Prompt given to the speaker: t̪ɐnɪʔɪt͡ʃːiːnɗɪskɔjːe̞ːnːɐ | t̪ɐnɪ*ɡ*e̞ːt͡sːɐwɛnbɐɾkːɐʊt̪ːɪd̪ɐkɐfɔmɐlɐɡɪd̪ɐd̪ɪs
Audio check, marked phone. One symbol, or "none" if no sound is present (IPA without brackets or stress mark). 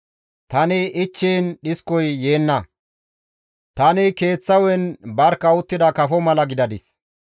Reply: k